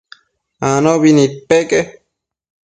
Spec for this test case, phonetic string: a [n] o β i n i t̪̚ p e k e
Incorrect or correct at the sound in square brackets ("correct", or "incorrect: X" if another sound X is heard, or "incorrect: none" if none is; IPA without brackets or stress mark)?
correct